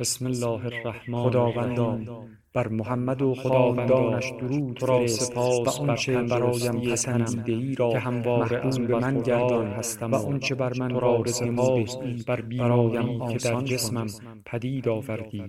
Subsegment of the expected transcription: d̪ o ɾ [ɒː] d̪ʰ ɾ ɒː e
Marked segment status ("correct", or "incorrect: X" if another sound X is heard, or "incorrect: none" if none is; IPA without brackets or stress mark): incorrect: uː